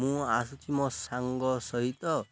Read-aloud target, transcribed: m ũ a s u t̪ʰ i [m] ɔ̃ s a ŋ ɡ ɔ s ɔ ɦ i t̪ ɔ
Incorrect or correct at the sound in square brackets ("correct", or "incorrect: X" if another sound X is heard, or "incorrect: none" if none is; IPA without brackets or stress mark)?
correct